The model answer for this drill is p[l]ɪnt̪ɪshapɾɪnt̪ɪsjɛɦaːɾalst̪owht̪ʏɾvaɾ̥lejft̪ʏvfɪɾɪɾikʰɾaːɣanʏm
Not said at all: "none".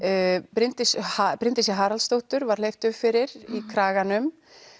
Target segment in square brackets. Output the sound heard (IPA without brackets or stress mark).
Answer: ɾ